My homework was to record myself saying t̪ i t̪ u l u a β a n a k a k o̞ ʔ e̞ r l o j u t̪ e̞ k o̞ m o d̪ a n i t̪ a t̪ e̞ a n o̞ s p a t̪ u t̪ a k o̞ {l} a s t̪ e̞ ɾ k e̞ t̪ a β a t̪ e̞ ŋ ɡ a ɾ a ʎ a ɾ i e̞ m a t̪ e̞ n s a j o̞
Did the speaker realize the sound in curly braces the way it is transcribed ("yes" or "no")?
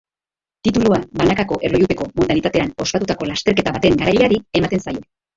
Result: yes